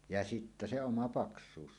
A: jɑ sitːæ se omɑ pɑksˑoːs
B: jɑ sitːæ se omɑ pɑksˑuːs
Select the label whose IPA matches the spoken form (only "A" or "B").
B